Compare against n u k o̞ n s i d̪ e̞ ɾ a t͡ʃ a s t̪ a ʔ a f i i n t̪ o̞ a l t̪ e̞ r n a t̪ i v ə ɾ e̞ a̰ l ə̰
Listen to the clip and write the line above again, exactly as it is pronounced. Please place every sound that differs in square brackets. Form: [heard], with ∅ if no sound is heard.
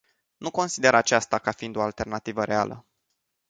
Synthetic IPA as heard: n u k o̞ n s i d̪ e̞ ɾ a t͡ʃ a s t̪ a [k] a f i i n [d̪] o̞ a l t̪ e̞ r n a t̪ i v ə ɾ e̞ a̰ l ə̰